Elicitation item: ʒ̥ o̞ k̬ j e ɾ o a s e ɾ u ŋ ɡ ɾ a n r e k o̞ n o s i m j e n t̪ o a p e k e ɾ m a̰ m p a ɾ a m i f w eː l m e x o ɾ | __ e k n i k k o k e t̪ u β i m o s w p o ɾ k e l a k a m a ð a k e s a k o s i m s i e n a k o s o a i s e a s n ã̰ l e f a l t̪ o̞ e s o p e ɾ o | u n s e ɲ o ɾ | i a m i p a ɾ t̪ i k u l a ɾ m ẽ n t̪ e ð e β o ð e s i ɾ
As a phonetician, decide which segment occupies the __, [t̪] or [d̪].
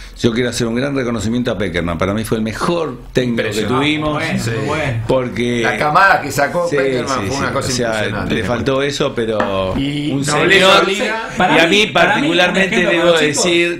t̪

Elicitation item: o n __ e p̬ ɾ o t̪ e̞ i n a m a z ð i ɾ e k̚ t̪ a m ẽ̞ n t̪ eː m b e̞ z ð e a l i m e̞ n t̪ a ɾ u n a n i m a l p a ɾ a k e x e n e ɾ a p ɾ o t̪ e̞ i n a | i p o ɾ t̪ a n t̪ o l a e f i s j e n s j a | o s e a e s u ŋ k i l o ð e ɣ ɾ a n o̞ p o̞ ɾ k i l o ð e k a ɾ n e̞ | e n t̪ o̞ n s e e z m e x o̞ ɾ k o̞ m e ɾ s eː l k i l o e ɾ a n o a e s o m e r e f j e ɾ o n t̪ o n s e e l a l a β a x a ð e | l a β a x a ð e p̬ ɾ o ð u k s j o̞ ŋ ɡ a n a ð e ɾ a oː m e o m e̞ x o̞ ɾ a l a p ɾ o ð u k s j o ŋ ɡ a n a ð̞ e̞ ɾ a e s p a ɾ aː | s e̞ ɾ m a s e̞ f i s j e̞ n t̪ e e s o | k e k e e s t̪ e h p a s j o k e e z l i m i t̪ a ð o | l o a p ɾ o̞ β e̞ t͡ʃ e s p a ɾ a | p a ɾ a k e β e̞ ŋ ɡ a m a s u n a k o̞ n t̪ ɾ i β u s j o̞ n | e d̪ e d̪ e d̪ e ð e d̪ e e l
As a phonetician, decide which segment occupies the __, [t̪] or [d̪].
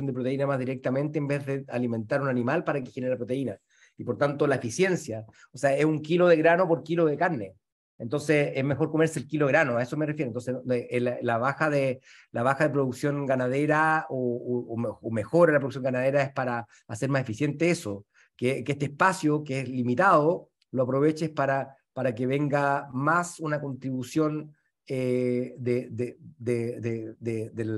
d̪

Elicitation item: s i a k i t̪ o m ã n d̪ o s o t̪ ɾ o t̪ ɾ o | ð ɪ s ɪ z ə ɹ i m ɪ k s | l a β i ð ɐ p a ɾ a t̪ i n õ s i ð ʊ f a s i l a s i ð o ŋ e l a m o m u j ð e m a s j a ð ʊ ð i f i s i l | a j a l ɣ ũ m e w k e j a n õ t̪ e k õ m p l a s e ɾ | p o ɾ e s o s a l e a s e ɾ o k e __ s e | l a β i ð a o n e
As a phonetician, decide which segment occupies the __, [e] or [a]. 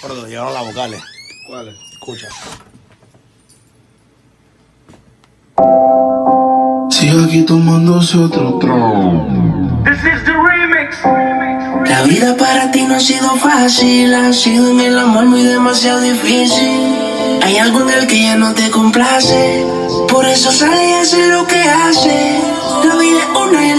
a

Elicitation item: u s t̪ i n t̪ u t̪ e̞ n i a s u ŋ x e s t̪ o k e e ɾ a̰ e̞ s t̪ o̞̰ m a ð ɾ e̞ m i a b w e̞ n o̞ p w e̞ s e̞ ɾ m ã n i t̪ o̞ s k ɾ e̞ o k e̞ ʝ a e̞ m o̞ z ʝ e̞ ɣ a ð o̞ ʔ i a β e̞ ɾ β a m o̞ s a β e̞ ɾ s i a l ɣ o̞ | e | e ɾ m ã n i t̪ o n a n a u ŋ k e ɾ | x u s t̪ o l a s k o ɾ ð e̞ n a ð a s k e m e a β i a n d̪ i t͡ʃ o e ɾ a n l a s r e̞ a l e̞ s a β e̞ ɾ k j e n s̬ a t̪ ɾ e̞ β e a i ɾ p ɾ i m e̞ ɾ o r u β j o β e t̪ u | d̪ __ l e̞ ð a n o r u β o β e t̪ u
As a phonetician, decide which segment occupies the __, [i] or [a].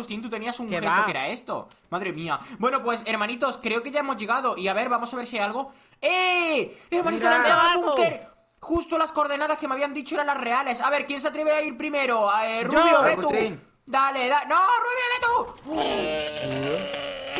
a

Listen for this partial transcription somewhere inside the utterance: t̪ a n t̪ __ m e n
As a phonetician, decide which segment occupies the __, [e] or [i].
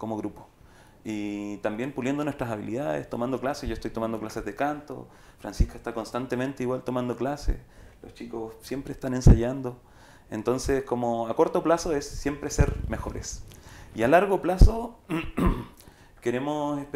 e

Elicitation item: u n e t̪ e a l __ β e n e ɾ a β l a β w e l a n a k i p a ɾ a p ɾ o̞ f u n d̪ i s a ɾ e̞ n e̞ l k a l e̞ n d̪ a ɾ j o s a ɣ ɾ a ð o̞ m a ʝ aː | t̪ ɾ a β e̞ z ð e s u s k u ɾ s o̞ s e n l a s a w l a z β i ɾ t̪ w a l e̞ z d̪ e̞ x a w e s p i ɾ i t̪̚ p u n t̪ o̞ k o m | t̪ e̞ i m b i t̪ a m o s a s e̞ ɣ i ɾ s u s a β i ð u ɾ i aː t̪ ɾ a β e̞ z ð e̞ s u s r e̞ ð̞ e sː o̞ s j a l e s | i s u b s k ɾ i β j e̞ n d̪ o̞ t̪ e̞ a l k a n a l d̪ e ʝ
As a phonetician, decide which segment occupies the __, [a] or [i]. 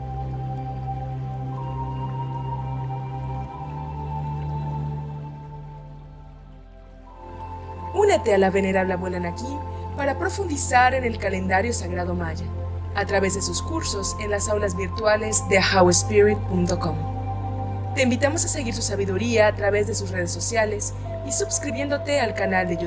a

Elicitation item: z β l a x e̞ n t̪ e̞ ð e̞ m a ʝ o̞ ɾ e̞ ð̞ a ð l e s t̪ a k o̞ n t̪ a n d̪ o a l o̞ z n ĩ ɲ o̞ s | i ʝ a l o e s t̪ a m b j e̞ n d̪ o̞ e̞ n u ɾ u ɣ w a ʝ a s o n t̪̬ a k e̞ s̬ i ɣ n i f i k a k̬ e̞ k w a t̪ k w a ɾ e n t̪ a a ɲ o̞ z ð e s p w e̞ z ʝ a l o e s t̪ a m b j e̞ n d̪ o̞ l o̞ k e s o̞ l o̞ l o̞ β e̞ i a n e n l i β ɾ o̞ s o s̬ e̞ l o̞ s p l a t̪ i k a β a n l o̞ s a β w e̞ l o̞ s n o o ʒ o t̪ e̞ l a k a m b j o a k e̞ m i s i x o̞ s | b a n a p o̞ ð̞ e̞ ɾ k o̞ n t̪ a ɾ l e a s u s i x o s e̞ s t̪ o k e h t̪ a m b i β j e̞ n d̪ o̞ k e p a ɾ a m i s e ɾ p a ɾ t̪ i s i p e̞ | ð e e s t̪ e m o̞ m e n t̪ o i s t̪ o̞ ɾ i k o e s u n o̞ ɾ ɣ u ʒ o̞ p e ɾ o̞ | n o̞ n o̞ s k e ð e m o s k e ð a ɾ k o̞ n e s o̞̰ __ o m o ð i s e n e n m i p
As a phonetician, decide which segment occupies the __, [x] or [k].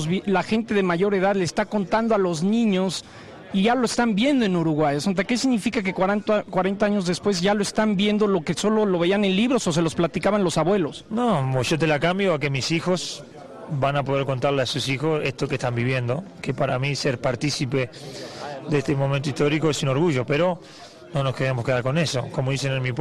k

